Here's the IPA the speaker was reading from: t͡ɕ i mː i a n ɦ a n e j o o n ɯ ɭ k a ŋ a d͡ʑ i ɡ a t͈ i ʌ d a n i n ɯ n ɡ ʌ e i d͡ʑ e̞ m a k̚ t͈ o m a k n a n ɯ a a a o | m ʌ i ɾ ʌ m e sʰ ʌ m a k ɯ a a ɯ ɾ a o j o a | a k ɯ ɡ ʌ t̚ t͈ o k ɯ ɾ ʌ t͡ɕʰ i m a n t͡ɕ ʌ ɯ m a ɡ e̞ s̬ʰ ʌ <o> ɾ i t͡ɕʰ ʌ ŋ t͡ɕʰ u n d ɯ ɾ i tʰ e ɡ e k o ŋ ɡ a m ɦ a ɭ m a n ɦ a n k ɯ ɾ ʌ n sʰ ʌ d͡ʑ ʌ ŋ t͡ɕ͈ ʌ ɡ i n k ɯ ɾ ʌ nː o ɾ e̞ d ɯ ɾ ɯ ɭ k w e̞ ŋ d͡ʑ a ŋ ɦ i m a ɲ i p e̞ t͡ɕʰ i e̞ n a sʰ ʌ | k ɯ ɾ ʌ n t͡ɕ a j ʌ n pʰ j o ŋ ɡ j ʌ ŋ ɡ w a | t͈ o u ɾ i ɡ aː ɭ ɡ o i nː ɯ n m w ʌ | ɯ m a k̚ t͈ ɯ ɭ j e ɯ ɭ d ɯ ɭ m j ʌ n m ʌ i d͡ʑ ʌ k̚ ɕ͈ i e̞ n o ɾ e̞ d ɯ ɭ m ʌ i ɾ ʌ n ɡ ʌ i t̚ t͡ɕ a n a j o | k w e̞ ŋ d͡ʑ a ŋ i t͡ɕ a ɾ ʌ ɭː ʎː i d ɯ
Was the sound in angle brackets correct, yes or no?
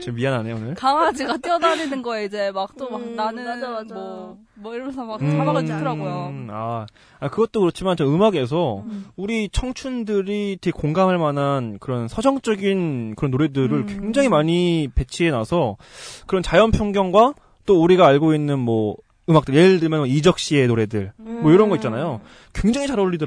no